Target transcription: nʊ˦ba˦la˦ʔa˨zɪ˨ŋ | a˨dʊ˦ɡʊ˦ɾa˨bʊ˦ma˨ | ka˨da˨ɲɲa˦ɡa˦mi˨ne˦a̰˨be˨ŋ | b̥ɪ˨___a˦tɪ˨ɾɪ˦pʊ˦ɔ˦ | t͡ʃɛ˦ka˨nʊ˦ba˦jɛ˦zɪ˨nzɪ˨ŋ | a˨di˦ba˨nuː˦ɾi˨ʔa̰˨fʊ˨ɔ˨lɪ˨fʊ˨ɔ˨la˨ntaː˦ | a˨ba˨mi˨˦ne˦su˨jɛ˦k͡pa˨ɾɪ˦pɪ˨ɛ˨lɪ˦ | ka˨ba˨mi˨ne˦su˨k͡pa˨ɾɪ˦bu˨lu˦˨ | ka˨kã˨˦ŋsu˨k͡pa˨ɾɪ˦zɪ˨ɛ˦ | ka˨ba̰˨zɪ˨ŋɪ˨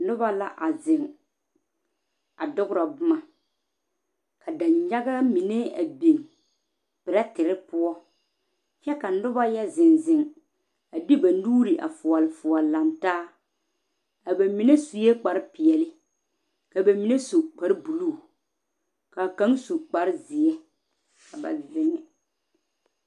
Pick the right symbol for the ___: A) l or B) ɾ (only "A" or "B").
B